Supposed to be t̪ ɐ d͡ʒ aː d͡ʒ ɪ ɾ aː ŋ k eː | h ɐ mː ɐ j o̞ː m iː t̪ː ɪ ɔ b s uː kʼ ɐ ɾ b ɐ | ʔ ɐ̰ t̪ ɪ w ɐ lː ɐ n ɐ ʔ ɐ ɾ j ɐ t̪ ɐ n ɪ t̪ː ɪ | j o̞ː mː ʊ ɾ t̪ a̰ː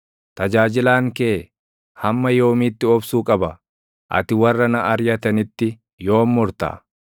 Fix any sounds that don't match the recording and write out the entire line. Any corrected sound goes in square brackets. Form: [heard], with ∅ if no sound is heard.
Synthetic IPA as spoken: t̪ ɐ d͡ʒ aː d͡ʒ ɪ [l] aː ŋ k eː | h ɐ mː ɐ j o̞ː m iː t̪ː ɪ ɔ b s uː kʼ ɐ [∅] b ɐ | ʔ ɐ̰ t̪ ɪ w ɐ [rː] ɐ n ɐ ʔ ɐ ɾ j ɐ t̪ ɐ n ɪ t̪ː ɪ | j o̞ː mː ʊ ɾ t̪ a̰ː